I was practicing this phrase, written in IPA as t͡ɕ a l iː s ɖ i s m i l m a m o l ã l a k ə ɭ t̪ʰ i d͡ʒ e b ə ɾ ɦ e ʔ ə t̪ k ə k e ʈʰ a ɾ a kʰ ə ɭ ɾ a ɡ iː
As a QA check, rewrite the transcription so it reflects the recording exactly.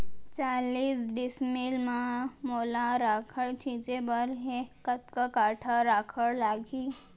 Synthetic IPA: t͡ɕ a l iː s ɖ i s m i l m a m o l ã ɾ a kʰ ə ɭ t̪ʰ i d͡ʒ e b ə ɾ ɦ e k ə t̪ k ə k a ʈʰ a ɾ a kʰ ə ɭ l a ɡ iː